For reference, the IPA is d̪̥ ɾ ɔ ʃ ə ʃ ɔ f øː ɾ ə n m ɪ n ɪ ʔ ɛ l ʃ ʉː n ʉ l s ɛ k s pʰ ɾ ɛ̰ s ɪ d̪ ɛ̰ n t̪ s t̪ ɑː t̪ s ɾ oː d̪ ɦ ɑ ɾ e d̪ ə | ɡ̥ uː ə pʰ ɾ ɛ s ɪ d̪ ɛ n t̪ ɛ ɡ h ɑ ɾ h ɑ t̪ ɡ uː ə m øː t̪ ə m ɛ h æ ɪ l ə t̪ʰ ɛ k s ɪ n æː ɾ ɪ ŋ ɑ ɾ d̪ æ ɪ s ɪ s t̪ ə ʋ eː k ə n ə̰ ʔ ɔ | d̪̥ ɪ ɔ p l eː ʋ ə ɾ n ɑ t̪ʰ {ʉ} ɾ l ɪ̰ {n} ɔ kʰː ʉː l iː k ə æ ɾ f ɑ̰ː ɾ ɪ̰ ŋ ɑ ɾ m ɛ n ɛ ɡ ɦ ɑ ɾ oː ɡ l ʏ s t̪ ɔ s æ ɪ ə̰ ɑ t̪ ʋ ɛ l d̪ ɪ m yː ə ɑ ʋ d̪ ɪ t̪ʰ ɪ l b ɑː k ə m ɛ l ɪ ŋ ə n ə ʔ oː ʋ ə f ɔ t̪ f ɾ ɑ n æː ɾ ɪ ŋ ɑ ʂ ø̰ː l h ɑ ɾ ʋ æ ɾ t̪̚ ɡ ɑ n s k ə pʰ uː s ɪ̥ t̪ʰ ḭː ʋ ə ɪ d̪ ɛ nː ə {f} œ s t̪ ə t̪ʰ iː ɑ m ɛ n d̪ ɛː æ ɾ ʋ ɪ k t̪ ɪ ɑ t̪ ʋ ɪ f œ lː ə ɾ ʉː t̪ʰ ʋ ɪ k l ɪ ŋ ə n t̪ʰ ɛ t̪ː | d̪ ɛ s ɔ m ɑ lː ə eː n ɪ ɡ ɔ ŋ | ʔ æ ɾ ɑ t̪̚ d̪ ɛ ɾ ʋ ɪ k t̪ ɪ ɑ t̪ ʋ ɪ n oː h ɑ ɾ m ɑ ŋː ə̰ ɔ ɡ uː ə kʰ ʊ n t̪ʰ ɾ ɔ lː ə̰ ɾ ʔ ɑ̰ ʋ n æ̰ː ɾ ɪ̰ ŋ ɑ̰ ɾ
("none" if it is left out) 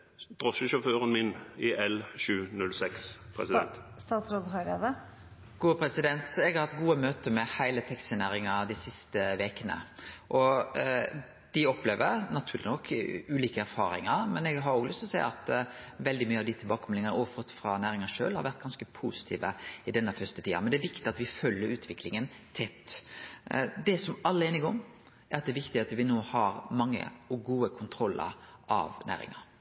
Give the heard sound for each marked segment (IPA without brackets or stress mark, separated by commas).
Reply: ʉː, n, f